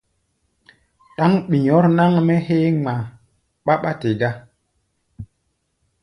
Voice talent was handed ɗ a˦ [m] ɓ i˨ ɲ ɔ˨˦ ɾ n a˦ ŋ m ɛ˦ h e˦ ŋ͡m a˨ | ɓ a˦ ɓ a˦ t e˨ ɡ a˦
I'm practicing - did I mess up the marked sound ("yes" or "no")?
yes